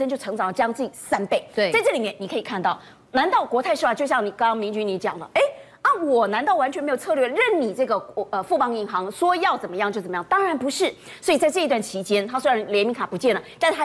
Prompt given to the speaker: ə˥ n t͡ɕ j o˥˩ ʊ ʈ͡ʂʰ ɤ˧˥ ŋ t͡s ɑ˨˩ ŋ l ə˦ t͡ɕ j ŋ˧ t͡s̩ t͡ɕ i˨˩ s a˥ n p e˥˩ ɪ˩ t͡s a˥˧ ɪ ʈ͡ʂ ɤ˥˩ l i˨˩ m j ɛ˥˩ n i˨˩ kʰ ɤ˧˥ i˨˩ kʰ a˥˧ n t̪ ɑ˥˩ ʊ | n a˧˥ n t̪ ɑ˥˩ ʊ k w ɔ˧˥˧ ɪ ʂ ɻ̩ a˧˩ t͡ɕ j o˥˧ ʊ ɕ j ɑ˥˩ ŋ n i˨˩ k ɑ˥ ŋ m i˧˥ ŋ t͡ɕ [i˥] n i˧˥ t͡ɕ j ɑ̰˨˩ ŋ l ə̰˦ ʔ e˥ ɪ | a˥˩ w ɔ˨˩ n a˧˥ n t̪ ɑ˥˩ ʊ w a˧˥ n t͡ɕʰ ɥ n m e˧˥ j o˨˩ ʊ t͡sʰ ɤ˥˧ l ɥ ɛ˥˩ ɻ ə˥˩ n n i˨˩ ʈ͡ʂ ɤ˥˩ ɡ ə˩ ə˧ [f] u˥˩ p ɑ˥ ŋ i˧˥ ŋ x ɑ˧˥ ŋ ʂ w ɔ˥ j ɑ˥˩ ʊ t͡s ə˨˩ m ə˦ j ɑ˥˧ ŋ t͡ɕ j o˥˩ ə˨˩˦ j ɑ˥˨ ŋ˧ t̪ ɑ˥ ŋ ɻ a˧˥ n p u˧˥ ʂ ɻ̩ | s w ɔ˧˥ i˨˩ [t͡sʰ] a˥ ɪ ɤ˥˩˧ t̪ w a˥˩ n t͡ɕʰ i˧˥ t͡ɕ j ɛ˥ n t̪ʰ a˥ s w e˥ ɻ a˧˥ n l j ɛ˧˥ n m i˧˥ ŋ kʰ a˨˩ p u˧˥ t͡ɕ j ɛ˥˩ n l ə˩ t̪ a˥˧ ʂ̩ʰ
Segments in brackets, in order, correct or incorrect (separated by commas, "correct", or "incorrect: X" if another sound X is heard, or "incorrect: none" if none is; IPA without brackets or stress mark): incorrect: y˥, correct, incorrect: t͡s